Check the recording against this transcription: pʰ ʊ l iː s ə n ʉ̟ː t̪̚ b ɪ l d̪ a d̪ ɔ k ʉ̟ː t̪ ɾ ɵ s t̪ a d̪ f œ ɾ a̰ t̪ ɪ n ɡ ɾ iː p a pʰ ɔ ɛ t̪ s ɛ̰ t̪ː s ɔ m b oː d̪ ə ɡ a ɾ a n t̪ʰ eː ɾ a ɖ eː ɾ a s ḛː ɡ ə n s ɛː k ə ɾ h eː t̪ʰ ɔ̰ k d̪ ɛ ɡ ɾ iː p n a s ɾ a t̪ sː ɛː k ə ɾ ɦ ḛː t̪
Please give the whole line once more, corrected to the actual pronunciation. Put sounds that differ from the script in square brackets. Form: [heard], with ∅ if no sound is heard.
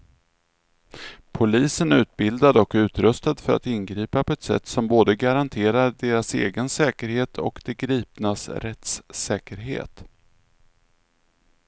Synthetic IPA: pʰ ʊ l iː s ə n ʉ̟ː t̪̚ b ɪ l d̪ a d̪ ɔ k ʉ̟ː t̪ ɾ ɵ s t̪ a d̪ f œ ɾ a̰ t̪ ɪ n ɡ ɾ iː p a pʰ ɔ ɛ t̪ s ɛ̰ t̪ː s ɔ m b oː d̪ ə ɡ a ɾ a n t̪ʰ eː ɾ a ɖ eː ɾ a s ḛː ɡ ə n s ɛː k ə ɾ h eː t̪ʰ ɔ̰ k d̪ ɛ ɡ ɾ iː p n a s ɾ [ɛ] t̪ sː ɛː k ə ɾ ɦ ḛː t̪